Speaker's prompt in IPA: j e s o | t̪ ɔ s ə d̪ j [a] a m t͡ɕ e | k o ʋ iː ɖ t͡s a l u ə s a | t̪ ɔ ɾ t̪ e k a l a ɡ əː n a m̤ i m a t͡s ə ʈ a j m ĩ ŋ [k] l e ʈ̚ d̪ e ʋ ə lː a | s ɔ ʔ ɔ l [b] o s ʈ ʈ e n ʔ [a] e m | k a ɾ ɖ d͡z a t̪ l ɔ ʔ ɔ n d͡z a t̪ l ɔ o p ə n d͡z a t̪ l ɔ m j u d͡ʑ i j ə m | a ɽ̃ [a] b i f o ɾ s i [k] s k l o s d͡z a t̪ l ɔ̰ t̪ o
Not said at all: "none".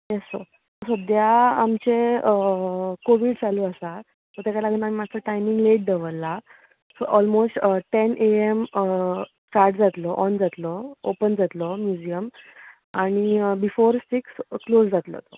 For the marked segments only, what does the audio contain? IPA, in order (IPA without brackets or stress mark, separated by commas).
a, ɡ, m, e, i, k